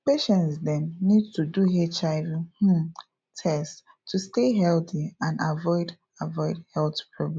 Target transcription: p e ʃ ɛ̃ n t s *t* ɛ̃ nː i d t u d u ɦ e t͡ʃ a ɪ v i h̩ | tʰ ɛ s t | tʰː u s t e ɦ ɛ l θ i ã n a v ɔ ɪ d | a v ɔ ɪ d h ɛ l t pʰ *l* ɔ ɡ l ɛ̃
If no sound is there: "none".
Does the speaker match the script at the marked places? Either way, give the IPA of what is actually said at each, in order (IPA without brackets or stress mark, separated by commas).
d, ɹ